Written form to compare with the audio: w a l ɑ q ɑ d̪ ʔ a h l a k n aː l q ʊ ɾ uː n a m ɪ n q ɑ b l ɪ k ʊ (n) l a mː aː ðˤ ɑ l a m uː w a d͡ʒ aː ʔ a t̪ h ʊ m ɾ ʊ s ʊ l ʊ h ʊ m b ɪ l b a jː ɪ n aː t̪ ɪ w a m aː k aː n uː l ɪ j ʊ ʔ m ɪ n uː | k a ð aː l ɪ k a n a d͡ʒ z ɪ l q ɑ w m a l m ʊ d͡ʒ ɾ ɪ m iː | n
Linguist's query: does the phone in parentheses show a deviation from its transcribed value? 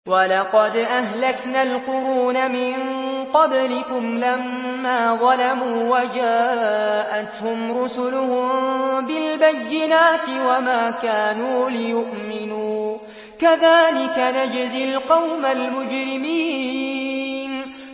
yes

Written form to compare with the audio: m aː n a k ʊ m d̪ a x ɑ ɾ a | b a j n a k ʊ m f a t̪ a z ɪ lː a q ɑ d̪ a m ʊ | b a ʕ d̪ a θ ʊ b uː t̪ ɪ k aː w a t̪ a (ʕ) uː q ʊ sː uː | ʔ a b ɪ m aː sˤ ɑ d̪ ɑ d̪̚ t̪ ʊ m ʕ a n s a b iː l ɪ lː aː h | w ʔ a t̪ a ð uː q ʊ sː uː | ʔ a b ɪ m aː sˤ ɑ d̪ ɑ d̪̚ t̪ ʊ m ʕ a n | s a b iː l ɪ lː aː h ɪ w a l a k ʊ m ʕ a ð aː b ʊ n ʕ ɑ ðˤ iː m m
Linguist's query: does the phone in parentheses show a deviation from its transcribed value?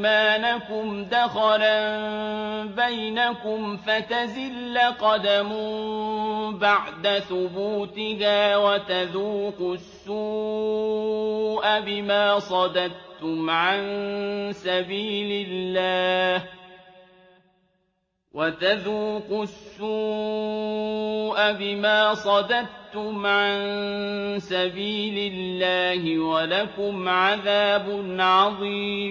yes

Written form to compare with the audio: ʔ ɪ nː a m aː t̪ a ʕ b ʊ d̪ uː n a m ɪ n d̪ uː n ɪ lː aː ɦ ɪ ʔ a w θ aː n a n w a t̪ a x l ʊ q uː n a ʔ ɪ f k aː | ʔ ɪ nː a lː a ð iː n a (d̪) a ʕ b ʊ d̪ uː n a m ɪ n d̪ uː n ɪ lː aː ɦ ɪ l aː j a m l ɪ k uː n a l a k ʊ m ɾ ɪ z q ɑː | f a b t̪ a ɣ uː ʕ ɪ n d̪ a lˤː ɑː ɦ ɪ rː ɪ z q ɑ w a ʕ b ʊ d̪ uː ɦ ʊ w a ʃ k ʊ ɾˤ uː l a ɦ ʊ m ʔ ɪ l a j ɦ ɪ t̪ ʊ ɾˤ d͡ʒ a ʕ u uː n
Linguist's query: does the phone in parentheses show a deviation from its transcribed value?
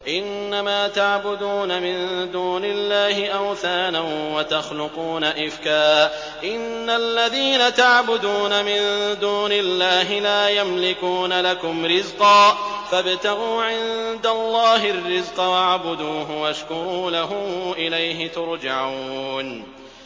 yes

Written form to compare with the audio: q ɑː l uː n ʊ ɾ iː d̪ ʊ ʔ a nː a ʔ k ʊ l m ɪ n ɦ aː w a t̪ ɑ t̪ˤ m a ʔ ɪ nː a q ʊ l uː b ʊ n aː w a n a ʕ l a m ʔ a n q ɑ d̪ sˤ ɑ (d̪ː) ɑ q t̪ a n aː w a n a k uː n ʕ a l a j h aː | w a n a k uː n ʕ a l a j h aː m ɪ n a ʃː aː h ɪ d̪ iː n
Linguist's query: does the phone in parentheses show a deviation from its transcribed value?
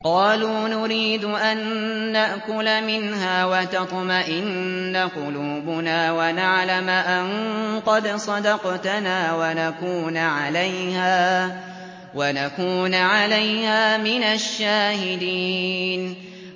yes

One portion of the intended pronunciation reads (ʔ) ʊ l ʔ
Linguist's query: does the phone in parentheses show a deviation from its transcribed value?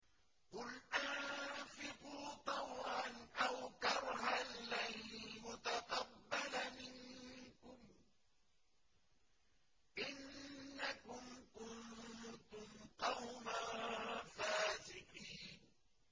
yes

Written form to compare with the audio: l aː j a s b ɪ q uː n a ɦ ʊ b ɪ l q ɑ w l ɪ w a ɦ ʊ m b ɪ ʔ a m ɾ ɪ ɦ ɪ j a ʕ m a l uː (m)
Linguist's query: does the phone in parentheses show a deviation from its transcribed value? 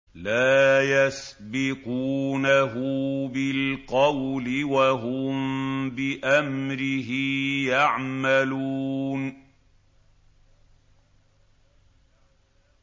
yes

